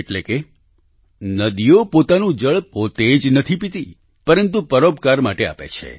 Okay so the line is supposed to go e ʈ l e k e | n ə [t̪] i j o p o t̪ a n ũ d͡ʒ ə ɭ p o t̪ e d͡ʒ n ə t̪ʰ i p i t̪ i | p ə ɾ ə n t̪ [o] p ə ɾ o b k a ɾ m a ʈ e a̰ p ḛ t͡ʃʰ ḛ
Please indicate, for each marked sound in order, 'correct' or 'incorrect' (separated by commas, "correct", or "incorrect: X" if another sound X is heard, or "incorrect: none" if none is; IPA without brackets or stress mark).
incorrect: d̪, incorrect: u